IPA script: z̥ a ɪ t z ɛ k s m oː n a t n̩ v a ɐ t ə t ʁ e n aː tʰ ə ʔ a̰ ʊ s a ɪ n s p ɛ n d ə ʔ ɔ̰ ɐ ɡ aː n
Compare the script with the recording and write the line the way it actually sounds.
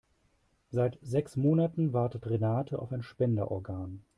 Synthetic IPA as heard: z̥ a ɪ t z ɛ k s m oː n a t n̩ v a ɐ t ə t ʁ e n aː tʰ ə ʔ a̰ ʊ f a ɪ n ʃ p ɛ n d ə ʔ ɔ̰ ɐ ɡ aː n

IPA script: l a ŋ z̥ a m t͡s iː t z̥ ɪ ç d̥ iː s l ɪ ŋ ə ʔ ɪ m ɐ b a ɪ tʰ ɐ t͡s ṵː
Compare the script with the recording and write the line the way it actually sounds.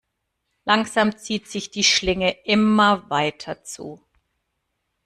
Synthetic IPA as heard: l a ŋ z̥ a m t͡s iː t z̥ ɪ ç d̥ iː ʃ l ɪ ŋ ə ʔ ɪ m ɐ v a ɪ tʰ ɐ t͡s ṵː

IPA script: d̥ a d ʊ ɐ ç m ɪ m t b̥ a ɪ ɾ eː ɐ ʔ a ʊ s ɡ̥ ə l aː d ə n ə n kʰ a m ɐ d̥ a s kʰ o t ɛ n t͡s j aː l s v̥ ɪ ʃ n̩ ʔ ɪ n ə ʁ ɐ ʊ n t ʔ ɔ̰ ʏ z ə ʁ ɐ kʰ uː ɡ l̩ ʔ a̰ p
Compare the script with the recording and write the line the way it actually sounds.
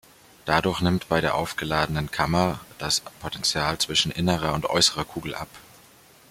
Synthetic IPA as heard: d̥ a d ʊ ɐ ç n ɪ m t b̥ a ɪ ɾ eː ɐ ʔ a ʊ f ɡ̥ ə l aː d ə n ə n kʰ a m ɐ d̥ a s pʰ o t ɛ n t͡s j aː l t͡s v̥ ɪ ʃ n̩ ʔ ɪ n ə ʁ ɐ ʊ n t ʔ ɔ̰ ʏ s ə ʁ ɐ kʰ uː ɡ l̩ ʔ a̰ p

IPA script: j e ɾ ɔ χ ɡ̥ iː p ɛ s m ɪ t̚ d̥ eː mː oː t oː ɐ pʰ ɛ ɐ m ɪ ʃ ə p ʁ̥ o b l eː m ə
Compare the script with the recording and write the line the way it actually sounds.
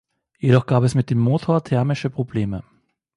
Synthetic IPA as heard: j e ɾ ɔ χ ɡ̥ aː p ɛ s m ɪ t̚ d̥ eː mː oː tʰ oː ɐ tʰ ɛ ɐ m ɪ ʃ ə p ʁ̥ o b l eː m ə

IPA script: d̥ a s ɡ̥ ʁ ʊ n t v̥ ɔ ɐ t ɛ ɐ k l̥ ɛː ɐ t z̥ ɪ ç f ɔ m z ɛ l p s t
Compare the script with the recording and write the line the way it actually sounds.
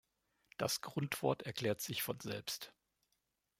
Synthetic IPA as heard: d̥ a s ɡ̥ ʁ ʊ n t v̥ ɔ ɐ t ɛ ɐ k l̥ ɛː ɐ t z̥ ɪ ç f ɔ n z ɛ l p s t

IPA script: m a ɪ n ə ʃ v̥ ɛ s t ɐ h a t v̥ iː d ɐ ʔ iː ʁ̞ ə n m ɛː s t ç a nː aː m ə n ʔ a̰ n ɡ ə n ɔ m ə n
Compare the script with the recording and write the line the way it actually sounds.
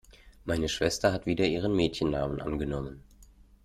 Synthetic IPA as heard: m a ɪ n ə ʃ v̥ ɛ s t ɐ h a t v̥ iː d ɐ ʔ iː ʁ̞ ə n m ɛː t ç ə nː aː m ə n ʔ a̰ n ɡ ə n ɔ m ə n

